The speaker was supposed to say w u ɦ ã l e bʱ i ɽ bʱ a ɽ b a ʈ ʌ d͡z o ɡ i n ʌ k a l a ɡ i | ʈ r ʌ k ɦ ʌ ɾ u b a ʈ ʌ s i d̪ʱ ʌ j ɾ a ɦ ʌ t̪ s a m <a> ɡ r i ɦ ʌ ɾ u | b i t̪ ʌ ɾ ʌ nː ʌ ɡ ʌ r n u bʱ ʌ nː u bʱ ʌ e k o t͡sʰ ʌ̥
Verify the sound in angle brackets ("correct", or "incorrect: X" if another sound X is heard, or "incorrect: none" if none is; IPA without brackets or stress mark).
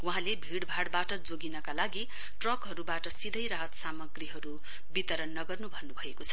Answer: incorrect: ʌ